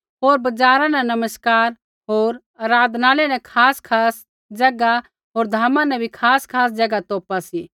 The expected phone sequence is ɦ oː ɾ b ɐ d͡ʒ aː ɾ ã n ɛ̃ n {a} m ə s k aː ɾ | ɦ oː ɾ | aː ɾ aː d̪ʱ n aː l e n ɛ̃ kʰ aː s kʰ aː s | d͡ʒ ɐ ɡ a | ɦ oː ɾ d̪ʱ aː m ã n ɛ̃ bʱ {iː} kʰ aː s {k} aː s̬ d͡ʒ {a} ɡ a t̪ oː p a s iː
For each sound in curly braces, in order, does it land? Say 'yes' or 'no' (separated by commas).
no, no, no, no